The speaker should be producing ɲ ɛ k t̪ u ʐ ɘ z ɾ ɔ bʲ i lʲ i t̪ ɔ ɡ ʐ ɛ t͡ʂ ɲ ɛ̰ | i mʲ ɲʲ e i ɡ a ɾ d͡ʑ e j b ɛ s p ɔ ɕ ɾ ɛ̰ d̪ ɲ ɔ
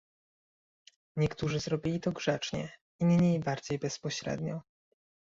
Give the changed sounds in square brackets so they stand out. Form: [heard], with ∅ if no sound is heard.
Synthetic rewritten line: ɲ ɛ k t̪ u ʐ ɘ z ɾ ɔ bʲ i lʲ i t̪ ɔ ɡ ʐ ɛ t͡ʂ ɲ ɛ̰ | i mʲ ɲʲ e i [b] a ɾ d͡ʑ e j b ɛ s p ɔ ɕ ɾ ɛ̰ d̪ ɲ ɔ